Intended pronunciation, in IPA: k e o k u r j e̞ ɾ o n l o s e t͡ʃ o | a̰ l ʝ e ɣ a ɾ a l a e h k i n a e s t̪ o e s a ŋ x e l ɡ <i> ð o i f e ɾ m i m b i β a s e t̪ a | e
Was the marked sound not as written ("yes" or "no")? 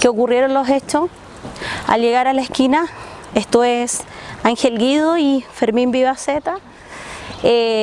no